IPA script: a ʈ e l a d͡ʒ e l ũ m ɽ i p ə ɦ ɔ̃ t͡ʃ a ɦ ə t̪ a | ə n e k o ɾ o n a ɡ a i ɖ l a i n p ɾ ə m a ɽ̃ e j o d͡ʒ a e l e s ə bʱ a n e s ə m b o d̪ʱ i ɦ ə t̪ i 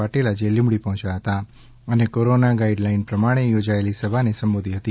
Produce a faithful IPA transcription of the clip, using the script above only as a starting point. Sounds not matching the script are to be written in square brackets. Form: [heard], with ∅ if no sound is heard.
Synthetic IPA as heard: a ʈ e l a d͡ʒ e l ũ m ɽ i p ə ɦ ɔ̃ t͡ʃ a ɦ ə t̪ a | ə n e k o ɾ o n a ɡ a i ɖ l a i n p ɾ ə m a ɽ̃ e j o d͡ʒ a e l [i] s ə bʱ a n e s ə m b o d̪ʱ i ɦ ə t̪ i